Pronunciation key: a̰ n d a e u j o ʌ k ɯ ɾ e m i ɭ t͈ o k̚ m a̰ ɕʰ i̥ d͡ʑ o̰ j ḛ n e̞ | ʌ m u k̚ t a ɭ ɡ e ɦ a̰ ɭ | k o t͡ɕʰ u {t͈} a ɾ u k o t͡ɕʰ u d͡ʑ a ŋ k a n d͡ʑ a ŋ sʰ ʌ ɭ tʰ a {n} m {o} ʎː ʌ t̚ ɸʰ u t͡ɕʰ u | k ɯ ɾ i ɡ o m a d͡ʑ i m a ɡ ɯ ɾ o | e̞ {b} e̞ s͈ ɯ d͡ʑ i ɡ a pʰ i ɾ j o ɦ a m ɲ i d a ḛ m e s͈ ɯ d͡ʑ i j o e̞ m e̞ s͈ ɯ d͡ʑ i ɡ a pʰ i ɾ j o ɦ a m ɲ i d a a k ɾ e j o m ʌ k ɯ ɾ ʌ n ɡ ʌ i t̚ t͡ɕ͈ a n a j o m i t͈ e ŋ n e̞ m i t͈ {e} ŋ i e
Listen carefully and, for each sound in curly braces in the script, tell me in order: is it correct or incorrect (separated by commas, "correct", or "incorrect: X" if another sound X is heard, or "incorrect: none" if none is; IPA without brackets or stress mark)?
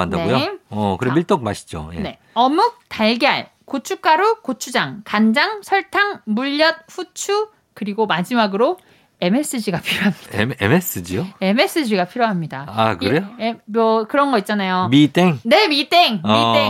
incorrect: k͈, incorrect: ŋ, incorrect: u, incorrect: m, correct